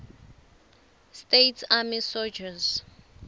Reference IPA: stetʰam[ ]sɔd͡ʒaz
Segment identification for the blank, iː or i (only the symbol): i